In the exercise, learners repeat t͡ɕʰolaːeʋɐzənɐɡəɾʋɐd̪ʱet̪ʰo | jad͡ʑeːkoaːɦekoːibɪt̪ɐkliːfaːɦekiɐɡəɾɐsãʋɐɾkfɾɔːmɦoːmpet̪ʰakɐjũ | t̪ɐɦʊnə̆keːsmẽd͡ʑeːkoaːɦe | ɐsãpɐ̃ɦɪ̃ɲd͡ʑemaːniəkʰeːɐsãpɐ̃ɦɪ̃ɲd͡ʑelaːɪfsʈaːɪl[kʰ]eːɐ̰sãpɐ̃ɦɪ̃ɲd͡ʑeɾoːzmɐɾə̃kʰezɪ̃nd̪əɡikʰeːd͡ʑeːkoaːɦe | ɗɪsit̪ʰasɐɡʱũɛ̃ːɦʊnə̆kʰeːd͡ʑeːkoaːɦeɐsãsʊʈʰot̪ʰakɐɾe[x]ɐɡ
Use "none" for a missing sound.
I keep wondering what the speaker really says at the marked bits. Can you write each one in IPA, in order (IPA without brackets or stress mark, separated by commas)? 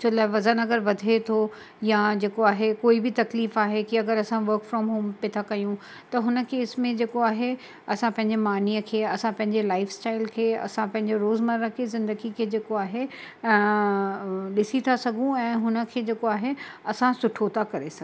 kʰ, s